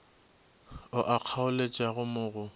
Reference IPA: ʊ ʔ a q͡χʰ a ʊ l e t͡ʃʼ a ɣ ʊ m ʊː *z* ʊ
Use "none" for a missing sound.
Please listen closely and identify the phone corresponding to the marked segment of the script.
ɣ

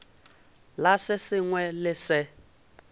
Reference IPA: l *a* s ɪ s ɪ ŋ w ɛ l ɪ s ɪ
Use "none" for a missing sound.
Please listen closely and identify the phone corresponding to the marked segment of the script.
a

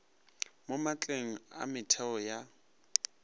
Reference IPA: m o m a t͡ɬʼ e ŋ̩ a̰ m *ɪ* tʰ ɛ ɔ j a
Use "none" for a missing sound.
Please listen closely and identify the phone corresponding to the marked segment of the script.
ɪ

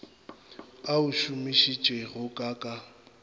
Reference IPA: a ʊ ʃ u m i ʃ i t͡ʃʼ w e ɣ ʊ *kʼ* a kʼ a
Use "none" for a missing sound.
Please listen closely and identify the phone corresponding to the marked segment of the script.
kʼ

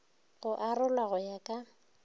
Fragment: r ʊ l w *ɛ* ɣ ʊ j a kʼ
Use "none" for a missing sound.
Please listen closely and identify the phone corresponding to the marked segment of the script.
a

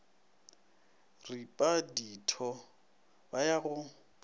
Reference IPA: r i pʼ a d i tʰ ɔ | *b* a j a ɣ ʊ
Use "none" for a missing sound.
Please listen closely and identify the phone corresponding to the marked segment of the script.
b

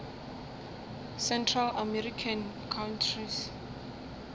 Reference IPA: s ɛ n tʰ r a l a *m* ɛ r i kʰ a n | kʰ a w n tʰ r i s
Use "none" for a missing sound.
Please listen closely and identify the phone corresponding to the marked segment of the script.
m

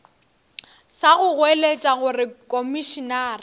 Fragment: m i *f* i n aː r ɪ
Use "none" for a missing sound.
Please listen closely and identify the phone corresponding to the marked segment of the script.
ʃ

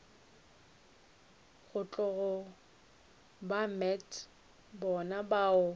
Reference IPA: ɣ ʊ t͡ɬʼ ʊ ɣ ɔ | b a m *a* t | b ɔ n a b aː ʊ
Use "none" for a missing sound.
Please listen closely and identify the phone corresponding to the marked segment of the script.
ɛ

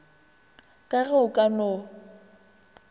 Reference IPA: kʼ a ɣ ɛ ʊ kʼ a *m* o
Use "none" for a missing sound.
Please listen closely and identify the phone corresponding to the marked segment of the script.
n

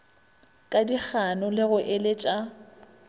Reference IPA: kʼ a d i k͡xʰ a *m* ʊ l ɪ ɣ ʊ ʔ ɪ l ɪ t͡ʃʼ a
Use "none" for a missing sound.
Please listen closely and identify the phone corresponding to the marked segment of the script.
n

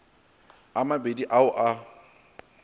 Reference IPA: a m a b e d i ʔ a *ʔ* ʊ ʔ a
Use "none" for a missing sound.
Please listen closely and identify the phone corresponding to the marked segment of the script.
none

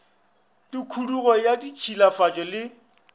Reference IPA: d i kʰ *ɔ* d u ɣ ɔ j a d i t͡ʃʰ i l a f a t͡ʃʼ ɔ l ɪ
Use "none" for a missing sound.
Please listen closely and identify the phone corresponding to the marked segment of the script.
u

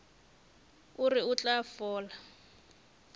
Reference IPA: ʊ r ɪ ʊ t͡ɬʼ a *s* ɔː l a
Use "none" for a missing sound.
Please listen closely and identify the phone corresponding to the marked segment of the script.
f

